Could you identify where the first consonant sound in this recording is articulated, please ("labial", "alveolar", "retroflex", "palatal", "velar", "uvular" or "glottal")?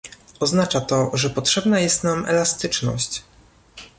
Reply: alveolar